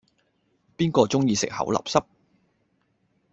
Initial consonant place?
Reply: labial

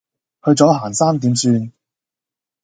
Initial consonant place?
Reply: glottal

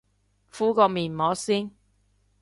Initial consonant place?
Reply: labial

